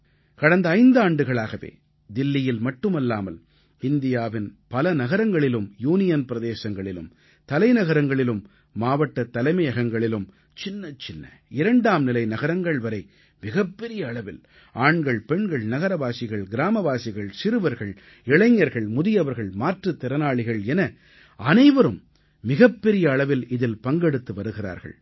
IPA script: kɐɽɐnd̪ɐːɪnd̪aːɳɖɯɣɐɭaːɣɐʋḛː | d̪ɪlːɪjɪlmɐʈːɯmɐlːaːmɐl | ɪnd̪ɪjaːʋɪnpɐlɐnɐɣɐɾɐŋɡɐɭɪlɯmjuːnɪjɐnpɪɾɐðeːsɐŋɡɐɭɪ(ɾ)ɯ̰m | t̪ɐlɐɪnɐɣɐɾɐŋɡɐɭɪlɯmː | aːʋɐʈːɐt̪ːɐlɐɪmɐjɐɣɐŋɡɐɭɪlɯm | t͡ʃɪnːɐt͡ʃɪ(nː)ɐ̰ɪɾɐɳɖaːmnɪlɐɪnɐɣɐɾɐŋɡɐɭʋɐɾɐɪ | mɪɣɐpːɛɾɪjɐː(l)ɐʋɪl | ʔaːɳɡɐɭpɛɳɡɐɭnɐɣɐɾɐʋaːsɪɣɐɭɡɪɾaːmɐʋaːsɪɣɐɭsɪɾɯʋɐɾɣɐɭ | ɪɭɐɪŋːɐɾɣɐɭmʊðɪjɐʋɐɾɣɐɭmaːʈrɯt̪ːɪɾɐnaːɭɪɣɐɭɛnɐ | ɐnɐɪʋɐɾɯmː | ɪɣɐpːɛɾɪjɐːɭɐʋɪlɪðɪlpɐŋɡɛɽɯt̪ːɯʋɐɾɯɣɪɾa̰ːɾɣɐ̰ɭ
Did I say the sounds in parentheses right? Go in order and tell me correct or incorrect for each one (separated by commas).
incorrect, correct, incorrect